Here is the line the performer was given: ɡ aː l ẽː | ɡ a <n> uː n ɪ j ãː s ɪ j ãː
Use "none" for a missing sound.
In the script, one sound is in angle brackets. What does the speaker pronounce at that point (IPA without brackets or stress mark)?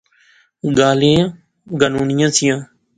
n